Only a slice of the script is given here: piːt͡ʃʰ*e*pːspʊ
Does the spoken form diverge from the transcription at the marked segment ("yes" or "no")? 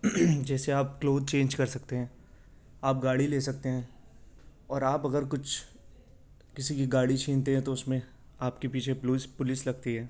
no